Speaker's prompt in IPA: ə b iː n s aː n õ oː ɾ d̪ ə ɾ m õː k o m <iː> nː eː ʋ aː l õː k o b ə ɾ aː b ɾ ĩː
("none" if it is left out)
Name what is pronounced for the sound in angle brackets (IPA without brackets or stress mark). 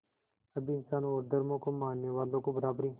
aː